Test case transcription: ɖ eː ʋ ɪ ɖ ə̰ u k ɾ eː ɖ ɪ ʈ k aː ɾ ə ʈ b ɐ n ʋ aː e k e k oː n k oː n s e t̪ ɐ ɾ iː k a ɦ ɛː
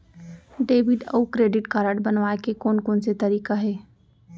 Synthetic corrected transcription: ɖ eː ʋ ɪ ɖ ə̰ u k ɾ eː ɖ ɪ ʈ k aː ɾ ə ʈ b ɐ n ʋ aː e k e k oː n k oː n s e t̪ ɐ ɾ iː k a ɦ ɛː